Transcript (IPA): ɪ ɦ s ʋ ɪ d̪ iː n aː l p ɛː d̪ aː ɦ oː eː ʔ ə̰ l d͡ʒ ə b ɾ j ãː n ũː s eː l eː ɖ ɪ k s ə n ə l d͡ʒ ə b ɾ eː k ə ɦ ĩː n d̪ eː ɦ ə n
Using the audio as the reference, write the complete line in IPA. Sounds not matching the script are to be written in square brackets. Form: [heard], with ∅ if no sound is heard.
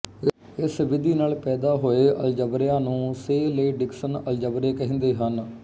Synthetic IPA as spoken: ɪ [∅] s ʋ ɪ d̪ iː n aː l p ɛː d̪ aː ɦ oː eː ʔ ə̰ l d͡ʒ ə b ɾ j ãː n ũː s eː l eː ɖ ɪ k s ə n ə l d͡ʒ ə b ɾ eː k ə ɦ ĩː n d̪ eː ɦ ə n

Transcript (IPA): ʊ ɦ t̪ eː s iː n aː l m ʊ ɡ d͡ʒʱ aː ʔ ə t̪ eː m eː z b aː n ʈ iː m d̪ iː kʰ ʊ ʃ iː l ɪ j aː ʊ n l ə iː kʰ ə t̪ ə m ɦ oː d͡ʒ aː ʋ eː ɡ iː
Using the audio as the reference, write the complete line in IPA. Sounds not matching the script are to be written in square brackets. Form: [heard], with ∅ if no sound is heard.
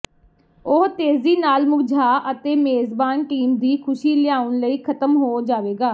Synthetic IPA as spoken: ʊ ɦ t̪ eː [z] iː n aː l m ʊ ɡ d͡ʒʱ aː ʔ ə t̪ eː m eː z b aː n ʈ iː m d̪ iː kʰ ʊ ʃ iː l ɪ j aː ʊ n l ə iː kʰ ə t̪ ə m ɦ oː d͡ʒ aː ʋ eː ɡ [aː]

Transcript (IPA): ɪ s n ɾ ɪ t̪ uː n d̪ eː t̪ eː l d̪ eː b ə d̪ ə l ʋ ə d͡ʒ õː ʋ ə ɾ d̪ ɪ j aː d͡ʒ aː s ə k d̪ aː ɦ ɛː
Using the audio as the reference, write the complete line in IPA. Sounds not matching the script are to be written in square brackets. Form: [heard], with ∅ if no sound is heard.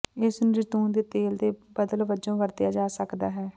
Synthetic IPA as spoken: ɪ s n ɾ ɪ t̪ uː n d̪ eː t̪ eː l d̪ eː b ə d̪ ə l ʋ ə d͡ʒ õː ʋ ə ɾ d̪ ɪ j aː d͡ʒ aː s ə k d̪ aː ɦ ɛː

